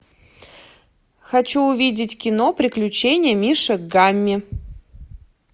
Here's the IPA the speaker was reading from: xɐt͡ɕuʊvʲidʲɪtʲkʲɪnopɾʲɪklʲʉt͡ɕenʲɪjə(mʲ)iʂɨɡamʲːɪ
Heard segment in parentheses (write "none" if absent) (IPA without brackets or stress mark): mʲ